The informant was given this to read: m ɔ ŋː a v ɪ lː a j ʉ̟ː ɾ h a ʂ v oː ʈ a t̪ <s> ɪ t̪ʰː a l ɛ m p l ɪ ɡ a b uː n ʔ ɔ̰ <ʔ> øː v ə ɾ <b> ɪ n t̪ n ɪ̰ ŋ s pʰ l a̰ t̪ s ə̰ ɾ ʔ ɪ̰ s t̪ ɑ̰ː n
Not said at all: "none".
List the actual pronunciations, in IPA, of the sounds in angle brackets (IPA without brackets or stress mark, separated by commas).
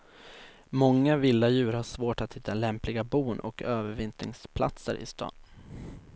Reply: h, k, v